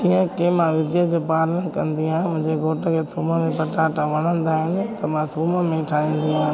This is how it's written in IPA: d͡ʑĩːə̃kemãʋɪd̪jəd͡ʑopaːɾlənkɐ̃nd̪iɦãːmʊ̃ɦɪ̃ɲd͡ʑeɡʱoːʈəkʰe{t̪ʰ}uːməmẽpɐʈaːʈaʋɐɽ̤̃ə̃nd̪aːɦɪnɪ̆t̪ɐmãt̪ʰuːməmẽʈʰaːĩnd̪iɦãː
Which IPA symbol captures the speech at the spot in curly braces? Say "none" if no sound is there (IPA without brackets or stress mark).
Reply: t̪ʰ